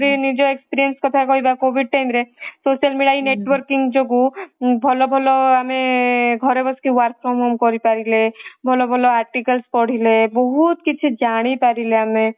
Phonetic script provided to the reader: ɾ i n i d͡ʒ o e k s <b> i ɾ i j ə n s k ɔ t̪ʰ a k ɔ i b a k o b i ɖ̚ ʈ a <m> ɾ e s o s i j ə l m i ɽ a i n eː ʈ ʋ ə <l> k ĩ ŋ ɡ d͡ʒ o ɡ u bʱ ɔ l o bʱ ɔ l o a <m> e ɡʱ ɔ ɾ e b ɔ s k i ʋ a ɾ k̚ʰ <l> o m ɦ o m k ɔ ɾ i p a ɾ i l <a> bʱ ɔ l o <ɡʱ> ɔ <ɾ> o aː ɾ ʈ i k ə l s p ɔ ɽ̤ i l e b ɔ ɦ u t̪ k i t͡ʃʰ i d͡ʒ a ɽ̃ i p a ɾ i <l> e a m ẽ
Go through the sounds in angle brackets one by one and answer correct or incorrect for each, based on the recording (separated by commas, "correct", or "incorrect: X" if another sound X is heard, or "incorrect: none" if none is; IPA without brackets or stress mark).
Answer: incorrect: p, correct, incorrect: ɾ, correct, incorrect: ɾ, incorrect: e, incorrect: bʱ, incorrect: l, correct